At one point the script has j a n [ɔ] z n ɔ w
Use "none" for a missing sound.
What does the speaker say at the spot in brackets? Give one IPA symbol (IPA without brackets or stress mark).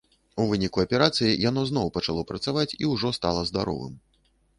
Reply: ɔ